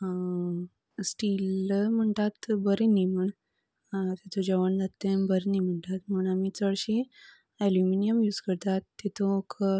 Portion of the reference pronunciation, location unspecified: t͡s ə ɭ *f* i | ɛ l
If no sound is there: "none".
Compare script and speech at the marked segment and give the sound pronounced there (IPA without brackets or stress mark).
ɕ